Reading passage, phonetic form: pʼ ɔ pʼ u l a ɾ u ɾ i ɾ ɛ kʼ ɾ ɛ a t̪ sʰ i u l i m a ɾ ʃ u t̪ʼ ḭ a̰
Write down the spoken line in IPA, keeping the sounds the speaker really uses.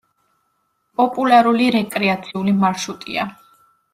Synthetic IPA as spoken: pʼ ɔ pʼ u l a ɾ u l i ɾ ɛ kʼ ɾ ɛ a t̪ sʰ i u l i m a ɾ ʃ u t̪ʼ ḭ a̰